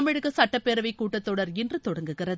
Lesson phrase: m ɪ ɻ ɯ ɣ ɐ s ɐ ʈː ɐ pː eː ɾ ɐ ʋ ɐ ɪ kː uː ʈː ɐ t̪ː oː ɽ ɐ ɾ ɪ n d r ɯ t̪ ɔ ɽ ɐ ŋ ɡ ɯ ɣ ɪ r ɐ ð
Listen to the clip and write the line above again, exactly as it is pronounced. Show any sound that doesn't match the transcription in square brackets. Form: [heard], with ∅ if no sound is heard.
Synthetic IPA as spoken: m ɪ ɻ ɯ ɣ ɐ s ɐ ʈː ɐ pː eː ɾ ɐ ʋ ɐ ɪ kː uː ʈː ɐ t̪ː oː ɽ ɐ ɾ ɪ n d r ɯ t̪ ɔ ɽ ɐ ŋ ɡ ɯ ɣ ɪ r ɐ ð